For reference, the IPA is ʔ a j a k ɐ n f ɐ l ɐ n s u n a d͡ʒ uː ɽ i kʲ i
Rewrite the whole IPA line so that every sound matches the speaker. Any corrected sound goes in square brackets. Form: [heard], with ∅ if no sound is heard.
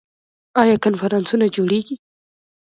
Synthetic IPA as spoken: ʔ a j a k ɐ n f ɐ [ɾ] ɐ n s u n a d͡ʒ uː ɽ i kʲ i